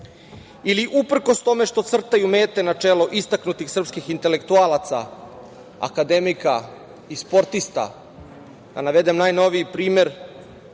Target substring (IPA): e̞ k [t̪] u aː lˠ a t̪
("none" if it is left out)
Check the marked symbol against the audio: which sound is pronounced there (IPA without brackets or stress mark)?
t̪